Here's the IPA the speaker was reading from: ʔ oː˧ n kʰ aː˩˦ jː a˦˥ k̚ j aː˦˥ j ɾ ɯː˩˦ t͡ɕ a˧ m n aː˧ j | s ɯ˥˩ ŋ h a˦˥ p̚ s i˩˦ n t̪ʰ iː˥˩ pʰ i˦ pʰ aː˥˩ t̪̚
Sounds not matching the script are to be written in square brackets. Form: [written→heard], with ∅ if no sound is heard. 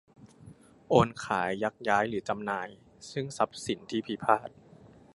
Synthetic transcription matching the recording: ʔ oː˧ n kʰ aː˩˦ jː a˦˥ k̚ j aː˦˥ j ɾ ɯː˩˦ t͡ɕ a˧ m n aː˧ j | s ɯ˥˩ ŋ [h→s] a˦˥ p̚ s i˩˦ n t̪ʰ iː˥˩ pʰ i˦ pʰ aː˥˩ t̪̚